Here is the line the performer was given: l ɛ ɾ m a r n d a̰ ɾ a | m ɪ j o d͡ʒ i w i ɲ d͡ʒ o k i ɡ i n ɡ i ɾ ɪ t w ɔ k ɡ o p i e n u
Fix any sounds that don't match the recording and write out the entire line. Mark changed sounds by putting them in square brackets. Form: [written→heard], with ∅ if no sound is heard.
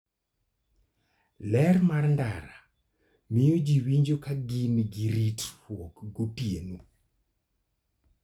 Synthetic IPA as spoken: l ɛ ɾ m a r n d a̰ ɾ a | m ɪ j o d͡ʒ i w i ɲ d͡ʒ o k [i→a] ɡ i n ɡ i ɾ [ɪ→i] t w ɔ k ɡ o p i e n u